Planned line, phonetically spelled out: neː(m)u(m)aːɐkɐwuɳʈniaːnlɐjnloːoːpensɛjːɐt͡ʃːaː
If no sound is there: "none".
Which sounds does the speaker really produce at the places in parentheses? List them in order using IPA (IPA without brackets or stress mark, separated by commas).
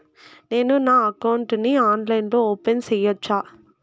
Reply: n, n